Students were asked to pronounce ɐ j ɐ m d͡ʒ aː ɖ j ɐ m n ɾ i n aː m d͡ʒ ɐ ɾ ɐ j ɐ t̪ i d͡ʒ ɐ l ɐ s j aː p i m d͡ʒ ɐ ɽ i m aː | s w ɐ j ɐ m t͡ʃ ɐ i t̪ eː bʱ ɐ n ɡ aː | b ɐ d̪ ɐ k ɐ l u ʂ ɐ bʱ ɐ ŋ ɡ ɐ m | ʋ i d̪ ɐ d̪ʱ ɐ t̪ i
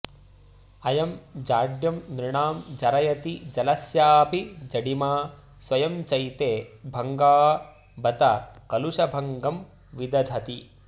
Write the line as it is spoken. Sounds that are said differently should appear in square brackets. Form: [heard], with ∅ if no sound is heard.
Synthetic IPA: ɐ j ɐ m d͡ʒ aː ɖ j ɐ m n ɾ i [ɳ] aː m d͡ʒ ɐ ɾ ɐ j ɐ t̪ i d͡ʒ ɐ l ɐ s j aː p i [∅] d͡ʒ ɐ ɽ i m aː | s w ɐ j ɐ m t͡ʃ ɐ [j] t̪ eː bʱ ɐ [ŋ] ɡ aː | b ɐ [t̪] ɐ k ɐ l u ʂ ɐ bʱ ɐ ŋ ɡ ɐ m | ʋ i d̪ ɐ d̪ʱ ɐ t̪ i